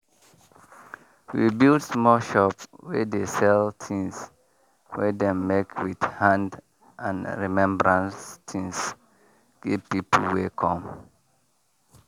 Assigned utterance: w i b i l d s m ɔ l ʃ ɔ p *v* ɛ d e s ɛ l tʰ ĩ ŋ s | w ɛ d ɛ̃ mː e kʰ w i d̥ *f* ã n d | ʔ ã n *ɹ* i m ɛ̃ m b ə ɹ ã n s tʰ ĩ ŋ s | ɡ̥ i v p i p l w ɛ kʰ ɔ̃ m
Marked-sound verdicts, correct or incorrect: incorrect, incorrect, correct

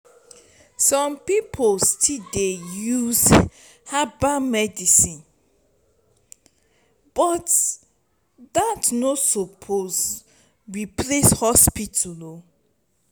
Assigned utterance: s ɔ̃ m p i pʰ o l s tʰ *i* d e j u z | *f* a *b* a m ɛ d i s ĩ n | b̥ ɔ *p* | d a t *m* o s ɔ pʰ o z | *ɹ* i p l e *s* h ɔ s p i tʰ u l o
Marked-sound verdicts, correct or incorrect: correct, incorrect, correct, incorrect, incorrect, correct, correct

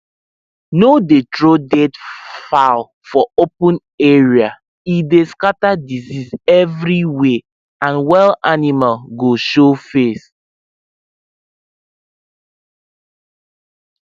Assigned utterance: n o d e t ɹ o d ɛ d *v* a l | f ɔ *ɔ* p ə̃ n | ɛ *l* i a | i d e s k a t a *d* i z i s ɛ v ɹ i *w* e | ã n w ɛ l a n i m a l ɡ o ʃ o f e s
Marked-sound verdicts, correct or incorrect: incorrect, incorrect, incorrect, correct, correct

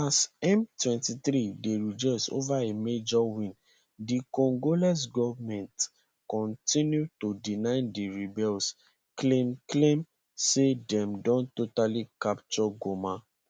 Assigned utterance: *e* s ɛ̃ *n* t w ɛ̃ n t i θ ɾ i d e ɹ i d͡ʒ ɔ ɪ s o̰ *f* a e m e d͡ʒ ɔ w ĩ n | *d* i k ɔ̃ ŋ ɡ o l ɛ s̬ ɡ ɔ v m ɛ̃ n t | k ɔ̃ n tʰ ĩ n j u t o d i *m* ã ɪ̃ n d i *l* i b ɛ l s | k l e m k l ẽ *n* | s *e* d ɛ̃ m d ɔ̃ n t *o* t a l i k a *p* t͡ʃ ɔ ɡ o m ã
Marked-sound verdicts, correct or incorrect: incorrect, incorrect, incorrect, correct, incorrect, incorrect, incorrect, correct, correct, correct

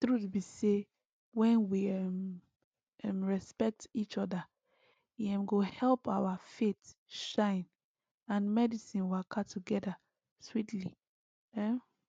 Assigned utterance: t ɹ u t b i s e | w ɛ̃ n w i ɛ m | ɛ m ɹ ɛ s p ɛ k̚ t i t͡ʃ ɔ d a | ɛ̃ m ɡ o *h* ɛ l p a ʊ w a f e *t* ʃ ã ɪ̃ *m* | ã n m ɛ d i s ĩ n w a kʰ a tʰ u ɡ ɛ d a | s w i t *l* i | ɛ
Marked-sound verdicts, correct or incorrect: correct, correct, incorrect, correct

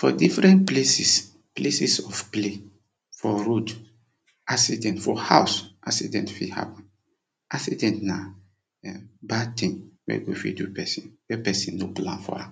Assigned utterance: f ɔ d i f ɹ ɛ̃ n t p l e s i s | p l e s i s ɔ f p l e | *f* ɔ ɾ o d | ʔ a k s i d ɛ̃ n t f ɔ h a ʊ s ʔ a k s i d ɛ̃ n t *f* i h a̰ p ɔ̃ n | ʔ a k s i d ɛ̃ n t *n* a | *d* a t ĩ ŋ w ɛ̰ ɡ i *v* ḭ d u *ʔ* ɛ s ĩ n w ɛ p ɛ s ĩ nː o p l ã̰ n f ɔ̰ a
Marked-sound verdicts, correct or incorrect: correct, correct, correct, incorrect, incorrect, incorrect

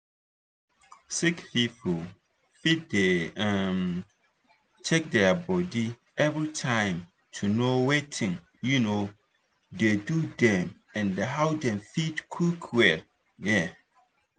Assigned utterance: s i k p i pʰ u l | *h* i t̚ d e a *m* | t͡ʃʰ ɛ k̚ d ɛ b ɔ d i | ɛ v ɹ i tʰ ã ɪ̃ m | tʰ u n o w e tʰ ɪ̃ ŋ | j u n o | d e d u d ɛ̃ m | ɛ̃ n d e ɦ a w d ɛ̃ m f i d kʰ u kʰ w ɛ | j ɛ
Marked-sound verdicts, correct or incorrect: incorrect, correct

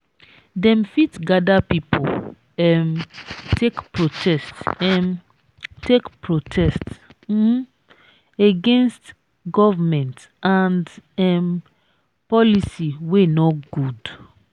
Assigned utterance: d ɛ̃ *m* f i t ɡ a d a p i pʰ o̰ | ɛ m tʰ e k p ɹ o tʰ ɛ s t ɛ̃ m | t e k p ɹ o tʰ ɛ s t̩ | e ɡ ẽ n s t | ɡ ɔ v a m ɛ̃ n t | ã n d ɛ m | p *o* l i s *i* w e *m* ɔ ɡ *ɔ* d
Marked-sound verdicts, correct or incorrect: correct, incorrect, correct, incorrect, incorrect

